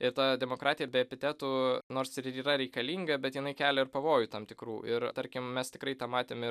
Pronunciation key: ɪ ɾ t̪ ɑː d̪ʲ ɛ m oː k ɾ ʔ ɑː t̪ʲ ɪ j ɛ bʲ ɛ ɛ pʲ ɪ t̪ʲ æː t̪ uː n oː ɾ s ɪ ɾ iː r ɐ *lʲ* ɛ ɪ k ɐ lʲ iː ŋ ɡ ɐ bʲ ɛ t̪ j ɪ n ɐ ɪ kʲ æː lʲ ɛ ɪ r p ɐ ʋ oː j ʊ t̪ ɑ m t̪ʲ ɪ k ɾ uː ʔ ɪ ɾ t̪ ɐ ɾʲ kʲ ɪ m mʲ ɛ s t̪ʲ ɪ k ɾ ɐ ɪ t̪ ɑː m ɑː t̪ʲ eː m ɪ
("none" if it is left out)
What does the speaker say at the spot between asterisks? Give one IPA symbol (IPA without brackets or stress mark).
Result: ɾʲ